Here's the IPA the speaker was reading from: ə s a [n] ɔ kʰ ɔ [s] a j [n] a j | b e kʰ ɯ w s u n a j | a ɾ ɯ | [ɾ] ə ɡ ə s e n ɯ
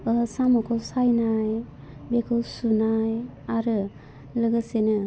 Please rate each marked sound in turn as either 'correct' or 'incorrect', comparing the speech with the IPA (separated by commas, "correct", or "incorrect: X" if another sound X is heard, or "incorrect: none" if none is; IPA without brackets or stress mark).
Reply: incorrect: m, correct, correct, incorrect: l